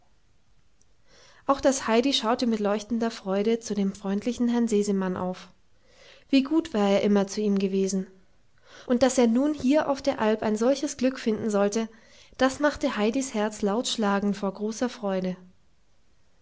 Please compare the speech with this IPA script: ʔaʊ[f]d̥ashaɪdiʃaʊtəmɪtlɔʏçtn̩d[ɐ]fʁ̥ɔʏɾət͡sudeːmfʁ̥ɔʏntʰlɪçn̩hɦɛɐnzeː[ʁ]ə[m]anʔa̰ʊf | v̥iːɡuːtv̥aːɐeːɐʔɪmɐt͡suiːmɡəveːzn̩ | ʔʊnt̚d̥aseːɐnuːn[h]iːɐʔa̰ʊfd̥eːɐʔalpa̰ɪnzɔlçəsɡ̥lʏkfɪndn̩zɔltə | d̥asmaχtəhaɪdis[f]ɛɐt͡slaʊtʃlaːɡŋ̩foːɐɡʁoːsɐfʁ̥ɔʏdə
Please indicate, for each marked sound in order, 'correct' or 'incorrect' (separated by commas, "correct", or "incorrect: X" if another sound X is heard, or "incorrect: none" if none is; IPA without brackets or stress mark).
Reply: incorrect: x, correct, incorrect: z, correct, correct, incorrect: h